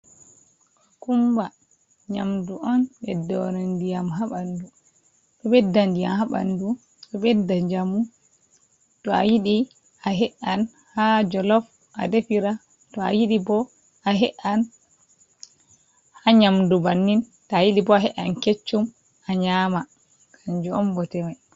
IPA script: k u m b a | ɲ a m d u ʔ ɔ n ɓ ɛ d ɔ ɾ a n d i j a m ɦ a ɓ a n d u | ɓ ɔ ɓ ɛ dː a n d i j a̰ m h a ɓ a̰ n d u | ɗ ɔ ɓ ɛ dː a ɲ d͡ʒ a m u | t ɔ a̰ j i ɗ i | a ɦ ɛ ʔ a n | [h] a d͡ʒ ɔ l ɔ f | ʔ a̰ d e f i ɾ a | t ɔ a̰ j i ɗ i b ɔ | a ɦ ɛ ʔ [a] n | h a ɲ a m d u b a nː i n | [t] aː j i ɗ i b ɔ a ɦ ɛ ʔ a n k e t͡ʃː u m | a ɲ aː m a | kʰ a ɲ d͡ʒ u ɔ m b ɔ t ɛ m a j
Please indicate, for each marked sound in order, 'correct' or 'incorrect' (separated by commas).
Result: correct, correct, correct